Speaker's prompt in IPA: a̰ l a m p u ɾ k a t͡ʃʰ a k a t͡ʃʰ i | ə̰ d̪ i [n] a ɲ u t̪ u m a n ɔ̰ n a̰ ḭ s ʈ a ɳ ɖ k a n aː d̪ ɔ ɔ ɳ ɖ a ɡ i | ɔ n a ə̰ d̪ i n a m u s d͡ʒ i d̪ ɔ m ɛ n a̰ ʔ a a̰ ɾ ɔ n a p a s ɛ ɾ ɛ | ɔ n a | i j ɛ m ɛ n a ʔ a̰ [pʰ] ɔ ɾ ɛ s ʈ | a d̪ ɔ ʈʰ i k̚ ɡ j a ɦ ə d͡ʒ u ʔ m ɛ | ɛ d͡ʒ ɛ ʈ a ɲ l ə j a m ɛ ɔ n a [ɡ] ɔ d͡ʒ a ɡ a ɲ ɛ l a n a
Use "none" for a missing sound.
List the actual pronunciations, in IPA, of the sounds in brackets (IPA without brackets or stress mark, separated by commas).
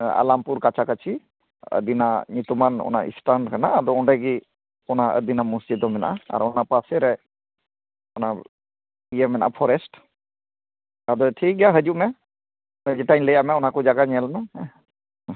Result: n, pʰ, k